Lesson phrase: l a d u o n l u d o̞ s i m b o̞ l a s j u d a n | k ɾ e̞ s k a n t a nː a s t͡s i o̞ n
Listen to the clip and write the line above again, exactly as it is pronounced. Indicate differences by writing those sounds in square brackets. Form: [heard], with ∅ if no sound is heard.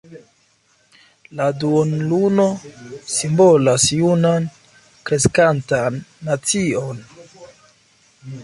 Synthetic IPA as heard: l a d u o n l u [n] o̞ s i m b o̞ l a s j u [n] a n | k ɾ e̞ s k a n t a nː a [∅] t͡s i o̞ n